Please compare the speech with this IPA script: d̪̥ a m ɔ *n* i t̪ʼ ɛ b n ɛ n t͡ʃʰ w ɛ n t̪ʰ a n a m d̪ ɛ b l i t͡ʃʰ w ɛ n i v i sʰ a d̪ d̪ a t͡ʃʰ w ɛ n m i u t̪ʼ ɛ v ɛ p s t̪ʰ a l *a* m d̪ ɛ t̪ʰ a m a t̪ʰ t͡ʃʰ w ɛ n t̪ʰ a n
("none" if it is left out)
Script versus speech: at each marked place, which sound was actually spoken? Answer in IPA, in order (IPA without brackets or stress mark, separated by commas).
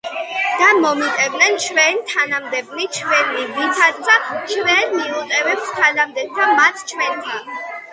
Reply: m, a